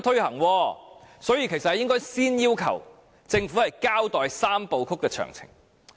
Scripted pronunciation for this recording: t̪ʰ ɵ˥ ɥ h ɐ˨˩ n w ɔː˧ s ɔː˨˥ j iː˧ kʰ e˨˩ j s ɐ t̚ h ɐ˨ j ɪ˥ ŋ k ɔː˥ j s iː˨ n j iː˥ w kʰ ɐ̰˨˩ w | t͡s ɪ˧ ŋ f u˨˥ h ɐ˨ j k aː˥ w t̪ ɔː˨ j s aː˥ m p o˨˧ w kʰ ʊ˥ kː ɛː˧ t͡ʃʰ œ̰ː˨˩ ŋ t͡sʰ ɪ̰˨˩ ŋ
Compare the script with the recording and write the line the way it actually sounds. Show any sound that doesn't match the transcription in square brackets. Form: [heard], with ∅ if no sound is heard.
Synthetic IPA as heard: t̪ʰ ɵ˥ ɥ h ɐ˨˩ [ŋ] w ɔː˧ s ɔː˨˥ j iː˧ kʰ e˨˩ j s ɐ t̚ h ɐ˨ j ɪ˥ ŋ k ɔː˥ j s [iː˥] n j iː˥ w kʰ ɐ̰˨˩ w | t͡s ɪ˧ ŋ f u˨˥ h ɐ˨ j k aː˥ w t̪ ɔː˨ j s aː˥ m p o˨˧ w kʰ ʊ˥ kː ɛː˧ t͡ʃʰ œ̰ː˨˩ ŋ t͡sʰ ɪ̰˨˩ ŋ